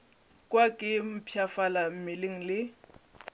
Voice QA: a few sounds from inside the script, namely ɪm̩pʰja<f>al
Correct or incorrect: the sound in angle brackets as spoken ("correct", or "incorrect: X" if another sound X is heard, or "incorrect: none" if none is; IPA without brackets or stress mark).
correct